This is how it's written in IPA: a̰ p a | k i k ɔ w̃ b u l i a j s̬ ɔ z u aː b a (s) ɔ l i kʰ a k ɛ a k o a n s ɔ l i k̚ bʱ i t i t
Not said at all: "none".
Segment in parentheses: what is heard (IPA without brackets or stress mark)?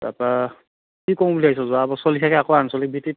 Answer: s